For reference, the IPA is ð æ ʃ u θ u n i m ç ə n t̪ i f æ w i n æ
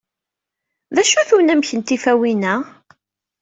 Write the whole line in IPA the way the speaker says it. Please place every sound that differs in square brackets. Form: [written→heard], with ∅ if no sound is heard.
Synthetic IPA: ð æ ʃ u θ u n [i→æ] m ç ə n t̪ i f æ w i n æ